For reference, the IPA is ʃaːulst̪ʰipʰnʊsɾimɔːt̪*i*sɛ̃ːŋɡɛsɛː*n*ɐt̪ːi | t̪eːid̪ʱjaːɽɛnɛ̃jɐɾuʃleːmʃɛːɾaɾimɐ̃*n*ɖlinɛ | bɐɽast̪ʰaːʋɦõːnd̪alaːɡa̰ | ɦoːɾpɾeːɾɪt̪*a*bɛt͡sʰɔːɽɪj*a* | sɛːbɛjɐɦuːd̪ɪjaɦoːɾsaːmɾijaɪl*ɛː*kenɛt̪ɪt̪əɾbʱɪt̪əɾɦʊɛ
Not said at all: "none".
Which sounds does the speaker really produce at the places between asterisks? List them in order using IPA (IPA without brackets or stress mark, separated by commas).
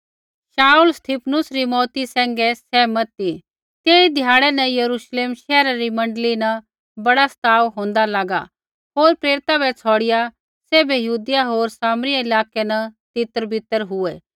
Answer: i, m, ɳ, a, a, aː